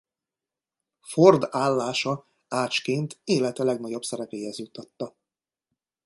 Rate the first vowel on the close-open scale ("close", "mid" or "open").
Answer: mid